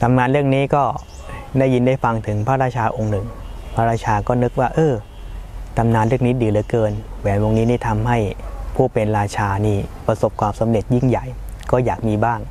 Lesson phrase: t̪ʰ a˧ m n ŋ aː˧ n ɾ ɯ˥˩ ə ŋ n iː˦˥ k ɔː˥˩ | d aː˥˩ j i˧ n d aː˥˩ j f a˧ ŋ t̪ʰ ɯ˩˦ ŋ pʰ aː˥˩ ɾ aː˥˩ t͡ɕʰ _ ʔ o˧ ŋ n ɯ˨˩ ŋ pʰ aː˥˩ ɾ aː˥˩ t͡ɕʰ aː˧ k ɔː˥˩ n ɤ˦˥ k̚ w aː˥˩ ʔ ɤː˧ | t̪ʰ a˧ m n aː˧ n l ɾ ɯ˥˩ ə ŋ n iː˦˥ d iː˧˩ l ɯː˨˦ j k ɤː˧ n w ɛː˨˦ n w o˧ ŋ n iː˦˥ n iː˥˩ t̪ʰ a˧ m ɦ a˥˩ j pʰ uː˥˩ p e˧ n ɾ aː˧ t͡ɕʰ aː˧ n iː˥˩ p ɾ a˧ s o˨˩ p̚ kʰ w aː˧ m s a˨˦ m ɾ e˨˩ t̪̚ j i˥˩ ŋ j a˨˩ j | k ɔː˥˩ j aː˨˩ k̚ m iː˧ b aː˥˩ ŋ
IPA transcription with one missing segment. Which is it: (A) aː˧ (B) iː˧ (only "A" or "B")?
A